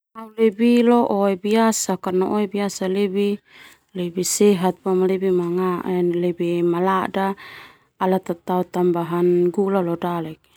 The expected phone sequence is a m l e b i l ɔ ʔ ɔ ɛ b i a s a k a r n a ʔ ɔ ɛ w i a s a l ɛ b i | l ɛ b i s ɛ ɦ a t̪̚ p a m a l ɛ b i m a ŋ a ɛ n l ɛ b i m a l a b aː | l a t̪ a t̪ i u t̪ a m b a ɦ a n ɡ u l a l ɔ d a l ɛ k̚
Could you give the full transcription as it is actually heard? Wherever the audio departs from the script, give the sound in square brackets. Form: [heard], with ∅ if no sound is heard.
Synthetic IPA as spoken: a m l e b i l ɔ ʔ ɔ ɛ b i a s a k a r n a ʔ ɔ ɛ [b] i a s a l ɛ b i | l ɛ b i s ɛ ɦ a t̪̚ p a m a l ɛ b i m a ŋ a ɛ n l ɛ b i m a l a [d] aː | l a t̪ a t̪ [a] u t̪ a m b a ɦ a n ɡ u l a l ɔ d a l ɛ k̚